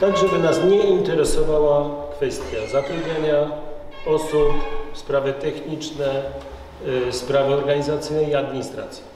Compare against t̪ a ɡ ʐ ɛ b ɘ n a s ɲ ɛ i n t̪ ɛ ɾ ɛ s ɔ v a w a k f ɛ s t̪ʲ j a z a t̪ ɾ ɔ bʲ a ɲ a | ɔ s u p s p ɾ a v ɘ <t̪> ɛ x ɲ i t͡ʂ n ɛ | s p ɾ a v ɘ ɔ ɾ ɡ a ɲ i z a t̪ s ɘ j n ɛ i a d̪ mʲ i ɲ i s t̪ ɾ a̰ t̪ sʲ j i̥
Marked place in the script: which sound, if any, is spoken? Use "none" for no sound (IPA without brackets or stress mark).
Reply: t̪